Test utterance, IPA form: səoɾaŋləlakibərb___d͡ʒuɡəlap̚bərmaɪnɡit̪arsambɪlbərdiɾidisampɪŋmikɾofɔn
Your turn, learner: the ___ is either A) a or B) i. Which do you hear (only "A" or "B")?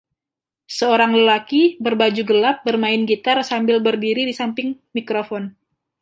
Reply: A